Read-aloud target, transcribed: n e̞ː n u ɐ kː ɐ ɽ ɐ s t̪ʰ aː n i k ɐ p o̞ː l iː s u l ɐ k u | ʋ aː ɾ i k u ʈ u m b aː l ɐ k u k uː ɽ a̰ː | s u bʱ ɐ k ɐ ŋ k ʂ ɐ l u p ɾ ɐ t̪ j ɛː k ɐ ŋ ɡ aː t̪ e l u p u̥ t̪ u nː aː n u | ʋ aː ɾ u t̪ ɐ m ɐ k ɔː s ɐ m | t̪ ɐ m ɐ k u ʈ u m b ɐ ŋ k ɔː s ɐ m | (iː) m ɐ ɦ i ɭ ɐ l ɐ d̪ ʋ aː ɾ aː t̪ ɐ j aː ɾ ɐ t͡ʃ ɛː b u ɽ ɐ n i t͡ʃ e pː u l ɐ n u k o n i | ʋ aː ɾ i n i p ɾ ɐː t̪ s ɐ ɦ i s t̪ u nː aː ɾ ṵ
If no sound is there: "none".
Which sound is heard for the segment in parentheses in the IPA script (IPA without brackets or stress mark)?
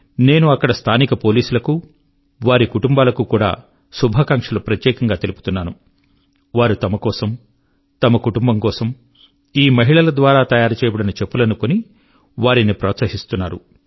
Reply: iː